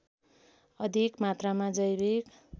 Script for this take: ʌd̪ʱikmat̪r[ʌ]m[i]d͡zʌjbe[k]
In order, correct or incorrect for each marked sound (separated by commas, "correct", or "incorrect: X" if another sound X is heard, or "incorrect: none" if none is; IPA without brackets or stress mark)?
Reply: incorrect: a, incorrect: a, correct